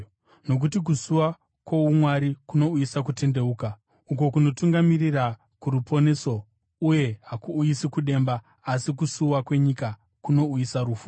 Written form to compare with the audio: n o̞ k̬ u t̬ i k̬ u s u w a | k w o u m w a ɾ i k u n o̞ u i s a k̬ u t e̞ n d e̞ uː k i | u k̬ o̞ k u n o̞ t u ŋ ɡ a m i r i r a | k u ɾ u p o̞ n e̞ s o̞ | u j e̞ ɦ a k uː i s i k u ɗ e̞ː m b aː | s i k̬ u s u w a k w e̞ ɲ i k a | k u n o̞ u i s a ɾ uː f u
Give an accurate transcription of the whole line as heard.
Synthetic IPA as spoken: n o̞ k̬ u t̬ i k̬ u s u w a | k w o u m w a ɾ i k u n o̞ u i s a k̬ u t e̞ n d e̞ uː k a | u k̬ o̞ k u n o̞ t u ŋ ɡ a m i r i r a | k u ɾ u p o̞ n e̞ s o̞ | u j e̞ ɦ a k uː i s i k u ɗ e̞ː m b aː | s i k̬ u s u w a k w e̞ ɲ i k a | k u n o̞ u i s a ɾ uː f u